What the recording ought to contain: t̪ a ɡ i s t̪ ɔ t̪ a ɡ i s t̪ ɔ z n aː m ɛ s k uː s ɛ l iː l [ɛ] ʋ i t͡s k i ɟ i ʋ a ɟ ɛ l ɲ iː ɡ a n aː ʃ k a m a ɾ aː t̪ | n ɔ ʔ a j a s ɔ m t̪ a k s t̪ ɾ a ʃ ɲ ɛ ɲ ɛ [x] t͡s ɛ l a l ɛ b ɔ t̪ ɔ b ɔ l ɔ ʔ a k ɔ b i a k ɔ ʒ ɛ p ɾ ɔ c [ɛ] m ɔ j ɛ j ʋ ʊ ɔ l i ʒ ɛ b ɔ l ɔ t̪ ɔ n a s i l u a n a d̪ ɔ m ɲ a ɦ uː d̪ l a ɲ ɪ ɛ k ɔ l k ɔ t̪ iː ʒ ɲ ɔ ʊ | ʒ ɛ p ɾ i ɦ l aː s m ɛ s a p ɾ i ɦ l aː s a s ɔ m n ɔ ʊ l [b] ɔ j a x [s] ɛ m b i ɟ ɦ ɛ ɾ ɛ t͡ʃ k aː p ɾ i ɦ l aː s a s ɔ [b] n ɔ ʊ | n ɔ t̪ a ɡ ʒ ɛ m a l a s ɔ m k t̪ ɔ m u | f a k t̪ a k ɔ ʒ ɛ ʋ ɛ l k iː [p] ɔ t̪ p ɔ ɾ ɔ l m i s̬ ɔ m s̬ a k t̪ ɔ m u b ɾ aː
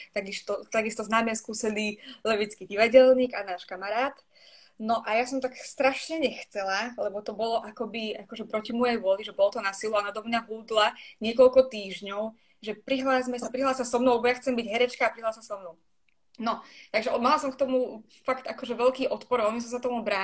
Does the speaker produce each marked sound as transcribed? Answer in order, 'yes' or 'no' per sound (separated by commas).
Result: yes, yes, no, yes, no, no, no